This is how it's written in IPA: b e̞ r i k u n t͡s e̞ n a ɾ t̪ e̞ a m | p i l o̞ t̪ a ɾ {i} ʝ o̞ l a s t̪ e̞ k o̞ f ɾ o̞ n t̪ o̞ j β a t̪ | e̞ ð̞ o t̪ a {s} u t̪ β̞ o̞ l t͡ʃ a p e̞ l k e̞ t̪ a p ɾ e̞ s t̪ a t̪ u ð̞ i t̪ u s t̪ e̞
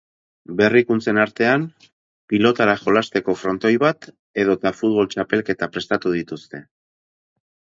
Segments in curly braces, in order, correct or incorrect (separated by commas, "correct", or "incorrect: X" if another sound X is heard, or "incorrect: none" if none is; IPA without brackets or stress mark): incorrect: a, incorrect: f